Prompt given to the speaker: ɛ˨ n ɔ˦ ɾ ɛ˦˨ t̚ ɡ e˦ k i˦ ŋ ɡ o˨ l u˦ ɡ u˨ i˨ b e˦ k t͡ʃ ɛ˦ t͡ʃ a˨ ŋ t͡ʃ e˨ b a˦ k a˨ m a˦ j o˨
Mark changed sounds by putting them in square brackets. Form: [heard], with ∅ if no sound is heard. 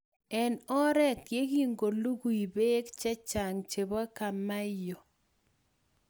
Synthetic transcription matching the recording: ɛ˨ n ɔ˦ ɾ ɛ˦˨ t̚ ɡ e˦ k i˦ ŋ ɡ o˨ l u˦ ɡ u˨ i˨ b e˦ k t͡ʃ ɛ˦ t͡ʃ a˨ ŋ t͡ʃ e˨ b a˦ k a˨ m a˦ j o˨